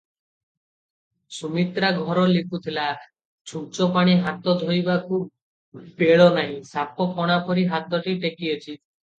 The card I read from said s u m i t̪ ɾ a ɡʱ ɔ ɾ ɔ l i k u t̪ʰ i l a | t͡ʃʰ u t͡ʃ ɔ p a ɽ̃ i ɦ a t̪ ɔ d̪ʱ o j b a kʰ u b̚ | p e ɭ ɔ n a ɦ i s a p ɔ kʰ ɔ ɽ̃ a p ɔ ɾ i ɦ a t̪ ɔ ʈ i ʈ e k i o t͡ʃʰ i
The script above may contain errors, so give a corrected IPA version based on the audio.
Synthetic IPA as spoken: s u m i t̪ ɾ a ɡʱ ɔ ɾ ɔ l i k u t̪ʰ i l a | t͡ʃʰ u t͡ʃ ɔ p a ɽ̃ i ɦ a t̪ ɔ d̪ʱ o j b a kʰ u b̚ | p e ɭ ɔ n a ɦ ĩ s a p ɔ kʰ ɔ ɽ̃ a p ɔ ɾ i ɦ a t̪ ɔ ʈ i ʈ e k i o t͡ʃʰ i